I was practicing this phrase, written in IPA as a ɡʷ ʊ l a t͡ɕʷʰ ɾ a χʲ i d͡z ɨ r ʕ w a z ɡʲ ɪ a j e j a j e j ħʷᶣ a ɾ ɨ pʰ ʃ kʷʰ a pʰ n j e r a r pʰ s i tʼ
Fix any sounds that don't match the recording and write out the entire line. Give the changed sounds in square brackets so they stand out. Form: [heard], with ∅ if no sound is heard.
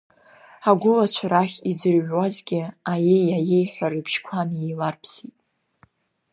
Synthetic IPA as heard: a ɡʷ ʊ l a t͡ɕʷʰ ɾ a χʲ i d͡z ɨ r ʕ w a z ɡʲ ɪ a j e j a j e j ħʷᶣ a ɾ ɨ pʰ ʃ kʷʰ a [∅] n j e [l] a r pʰ s i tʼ